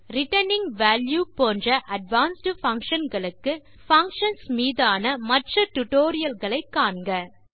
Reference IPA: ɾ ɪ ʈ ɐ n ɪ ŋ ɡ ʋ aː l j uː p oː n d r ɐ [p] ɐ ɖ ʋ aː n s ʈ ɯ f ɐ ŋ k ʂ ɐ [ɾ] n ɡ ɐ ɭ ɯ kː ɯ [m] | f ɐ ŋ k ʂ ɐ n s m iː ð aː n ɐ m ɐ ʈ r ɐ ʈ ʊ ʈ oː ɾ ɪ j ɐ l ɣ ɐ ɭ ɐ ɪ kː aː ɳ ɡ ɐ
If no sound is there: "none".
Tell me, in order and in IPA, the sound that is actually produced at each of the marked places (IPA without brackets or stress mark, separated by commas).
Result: ʔ, none, none